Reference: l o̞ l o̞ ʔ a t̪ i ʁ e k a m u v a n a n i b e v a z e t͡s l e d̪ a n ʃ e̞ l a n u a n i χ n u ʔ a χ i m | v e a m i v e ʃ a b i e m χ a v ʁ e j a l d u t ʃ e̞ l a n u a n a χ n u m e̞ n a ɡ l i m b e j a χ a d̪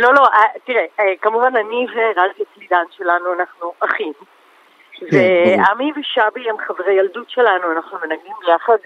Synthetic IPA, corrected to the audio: l o̞ l o̞ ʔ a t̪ i ʁ e k a m u v a n a n i v e ʁ a z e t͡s l i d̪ a n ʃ e̞ l a n u a n a χ n u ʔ a χ i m | v e a m i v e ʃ a b i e m χ a v ʁ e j a l d u t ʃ e̞ l a n u a n a χ n u m e̞ n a ɡ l i m b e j a χ a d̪